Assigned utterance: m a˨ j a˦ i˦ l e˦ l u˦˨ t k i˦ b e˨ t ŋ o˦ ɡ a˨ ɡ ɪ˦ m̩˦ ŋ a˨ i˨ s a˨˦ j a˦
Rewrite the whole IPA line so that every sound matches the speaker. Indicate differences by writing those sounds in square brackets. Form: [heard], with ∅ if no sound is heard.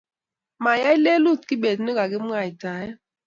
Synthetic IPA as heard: m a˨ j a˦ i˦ l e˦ l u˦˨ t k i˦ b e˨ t [n] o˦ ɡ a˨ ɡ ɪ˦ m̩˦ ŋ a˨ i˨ [t] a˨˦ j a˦